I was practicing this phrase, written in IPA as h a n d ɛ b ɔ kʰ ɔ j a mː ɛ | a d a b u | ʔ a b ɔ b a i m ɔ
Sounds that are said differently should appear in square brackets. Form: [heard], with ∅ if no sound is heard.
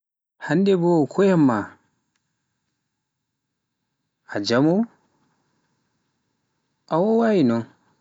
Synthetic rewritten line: h a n d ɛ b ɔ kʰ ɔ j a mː [a] | a [d͡ʒ] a [m] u | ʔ a [w] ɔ [w] a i [n] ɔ